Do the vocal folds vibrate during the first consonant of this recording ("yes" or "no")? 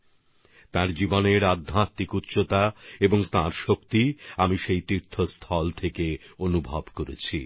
no